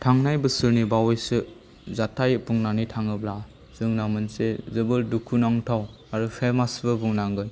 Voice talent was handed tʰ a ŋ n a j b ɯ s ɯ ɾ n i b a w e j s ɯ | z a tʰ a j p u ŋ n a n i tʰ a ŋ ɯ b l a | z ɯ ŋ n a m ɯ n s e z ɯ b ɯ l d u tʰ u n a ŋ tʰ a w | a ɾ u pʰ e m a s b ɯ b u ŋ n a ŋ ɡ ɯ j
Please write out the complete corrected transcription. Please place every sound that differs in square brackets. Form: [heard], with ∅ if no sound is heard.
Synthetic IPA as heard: tʰ a ŋ n a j b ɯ s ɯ ɾ n i b a w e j s ɯ | z a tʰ a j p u ŋ n a n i tʰ a ŋ ɯ b l a | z ɯ ŋ n a m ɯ n s e z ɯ b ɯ l d u [kʰ] u n a ŋ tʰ a w | a ɾ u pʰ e m a s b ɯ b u ŋ n a ŋ ɡ ɯ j